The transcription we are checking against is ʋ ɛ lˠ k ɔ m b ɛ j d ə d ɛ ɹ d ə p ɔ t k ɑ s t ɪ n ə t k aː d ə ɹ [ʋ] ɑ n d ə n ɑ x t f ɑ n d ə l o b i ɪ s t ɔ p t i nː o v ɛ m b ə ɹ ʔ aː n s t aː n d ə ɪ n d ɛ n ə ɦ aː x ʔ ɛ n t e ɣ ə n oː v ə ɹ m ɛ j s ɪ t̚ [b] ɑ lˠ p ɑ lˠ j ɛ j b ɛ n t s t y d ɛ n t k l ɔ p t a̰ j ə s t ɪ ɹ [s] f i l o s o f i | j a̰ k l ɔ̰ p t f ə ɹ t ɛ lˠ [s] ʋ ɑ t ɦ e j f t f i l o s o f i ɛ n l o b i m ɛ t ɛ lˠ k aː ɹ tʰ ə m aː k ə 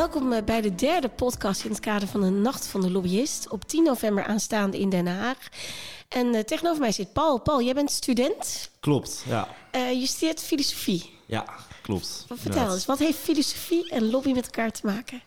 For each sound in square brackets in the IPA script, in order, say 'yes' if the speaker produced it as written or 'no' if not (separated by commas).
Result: no, no, no, yes